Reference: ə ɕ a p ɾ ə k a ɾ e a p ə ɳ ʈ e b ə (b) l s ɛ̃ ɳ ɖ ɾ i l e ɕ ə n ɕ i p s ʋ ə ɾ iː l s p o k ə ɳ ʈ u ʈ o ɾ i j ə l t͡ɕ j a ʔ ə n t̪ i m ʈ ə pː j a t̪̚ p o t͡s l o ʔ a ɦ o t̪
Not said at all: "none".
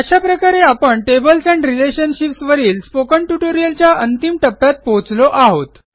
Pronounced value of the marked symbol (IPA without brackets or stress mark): none